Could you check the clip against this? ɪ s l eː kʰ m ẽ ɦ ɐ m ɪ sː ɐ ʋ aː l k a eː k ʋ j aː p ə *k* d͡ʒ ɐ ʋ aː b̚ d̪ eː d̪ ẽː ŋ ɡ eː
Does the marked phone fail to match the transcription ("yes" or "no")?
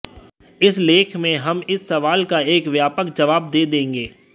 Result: no